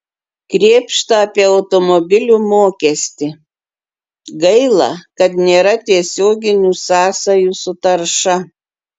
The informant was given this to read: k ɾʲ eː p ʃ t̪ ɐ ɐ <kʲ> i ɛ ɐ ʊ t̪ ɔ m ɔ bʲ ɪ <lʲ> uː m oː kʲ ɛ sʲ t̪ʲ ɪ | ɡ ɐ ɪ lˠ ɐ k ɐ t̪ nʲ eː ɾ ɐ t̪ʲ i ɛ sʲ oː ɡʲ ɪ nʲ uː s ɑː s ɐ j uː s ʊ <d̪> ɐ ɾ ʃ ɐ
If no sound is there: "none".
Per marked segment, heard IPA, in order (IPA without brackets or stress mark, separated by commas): pʲ, lʲ, t̪